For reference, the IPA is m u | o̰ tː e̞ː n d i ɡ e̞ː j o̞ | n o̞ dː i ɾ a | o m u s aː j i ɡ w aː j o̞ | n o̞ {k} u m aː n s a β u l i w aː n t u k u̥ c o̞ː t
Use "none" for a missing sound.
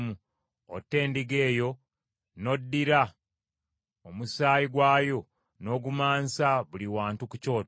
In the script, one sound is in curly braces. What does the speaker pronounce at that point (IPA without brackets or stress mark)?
ɡ